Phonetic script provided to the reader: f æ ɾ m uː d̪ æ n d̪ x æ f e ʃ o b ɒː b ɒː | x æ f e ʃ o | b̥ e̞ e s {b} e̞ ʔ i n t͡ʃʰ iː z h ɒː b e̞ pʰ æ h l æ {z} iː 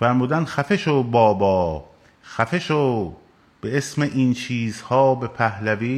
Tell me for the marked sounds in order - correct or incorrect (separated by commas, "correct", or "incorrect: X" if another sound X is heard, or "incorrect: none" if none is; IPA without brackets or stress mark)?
incorrect: m, incorrect: v